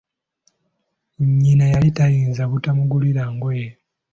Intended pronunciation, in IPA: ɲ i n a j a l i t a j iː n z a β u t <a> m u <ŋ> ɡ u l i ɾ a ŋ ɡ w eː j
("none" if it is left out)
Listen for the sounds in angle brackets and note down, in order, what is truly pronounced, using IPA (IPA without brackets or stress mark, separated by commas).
a, none